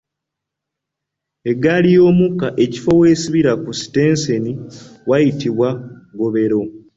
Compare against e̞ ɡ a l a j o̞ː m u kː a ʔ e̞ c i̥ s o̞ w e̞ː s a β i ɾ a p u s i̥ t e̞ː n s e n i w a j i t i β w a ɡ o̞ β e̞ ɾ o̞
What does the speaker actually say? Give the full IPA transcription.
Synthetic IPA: e̞ ɡ a l i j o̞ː m u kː a ʔ e̞ c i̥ f o̞ w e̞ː s i β i ɾ a k u s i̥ t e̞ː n s e n i w a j i t i β w a ɡ o̞ β e̞ ɾ o̞